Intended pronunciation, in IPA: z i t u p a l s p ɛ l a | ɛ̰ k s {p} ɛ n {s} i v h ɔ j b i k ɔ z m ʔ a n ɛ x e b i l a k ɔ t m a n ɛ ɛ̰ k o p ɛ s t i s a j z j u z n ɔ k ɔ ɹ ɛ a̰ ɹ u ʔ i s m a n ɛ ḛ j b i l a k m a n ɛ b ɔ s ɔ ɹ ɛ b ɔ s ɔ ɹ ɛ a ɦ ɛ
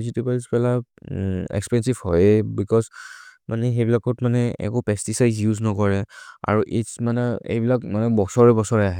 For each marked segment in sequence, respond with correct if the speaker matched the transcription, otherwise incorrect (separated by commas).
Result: correct, correct